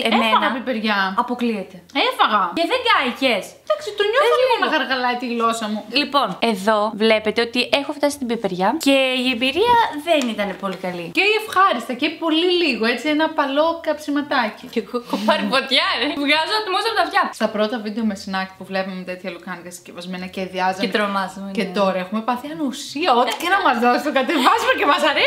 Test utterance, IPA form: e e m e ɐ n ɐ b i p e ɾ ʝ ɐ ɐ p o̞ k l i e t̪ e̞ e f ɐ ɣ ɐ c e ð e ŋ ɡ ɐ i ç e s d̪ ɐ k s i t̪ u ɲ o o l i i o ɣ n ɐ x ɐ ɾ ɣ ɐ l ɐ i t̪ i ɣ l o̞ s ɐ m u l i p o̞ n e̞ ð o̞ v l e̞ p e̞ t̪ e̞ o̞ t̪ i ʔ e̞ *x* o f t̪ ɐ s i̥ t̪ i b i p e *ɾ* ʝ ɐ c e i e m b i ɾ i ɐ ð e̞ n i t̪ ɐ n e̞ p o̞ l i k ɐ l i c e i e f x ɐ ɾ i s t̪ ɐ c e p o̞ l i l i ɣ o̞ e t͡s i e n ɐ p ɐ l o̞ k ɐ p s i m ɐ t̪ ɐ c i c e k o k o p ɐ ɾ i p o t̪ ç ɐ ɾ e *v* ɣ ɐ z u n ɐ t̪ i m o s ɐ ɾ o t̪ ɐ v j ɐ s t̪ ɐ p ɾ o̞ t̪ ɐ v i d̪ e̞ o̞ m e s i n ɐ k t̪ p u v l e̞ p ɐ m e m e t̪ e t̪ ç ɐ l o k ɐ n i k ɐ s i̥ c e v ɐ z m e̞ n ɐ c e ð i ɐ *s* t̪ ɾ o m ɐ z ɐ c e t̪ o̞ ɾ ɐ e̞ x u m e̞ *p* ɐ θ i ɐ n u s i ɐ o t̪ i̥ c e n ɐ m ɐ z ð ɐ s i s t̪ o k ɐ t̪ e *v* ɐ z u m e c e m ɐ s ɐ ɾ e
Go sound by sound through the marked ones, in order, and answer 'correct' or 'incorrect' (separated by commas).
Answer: correct, correct, correct, incorrect, correct, correct